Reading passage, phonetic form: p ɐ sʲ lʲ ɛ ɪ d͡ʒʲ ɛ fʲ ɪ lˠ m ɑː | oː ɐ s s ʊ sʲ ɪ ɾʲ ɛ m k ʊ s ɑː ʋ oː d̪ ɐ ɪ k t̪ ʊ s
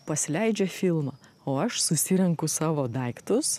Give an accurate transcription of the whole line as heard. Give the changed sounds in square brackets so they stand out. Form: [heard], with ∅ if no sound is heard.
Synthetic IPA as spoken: p ɐ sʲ lʲ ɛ ɪ d͡ʒʲ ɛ fʲ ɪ lˠ m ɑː | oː ɐ [ʃ] s ʊ sʲ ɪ ɾʲ ɛ [ŋ] k ʊ s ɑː ʋ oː d̪ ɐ ɪ k t̪ ʊ s